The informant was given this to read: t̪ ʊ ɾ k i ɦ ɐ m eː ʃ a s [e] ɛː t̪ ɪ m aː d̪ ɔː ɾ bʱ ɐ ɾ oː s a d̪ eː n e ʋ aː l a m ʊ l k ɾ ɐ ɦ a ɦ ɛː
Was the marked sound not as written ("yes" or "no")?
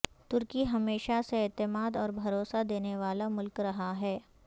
no